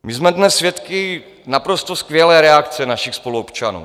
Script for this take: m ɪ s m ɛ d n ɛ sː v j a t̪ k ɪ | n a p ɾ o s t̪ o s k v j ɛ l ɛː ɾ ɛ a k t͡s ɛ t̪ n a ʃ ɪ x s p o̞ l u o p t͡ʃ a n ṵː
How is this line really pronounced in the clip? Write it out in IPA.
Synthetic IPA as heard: m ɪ z m ɛ d n ɛ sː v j ɛ t̪ k ɪ | n a p ɾ o s t̪ o s k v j ɛ l ɛː ɾ ɛ a k t͡s ɛ n a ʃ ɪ x s p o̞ l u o p t͡ʃ a n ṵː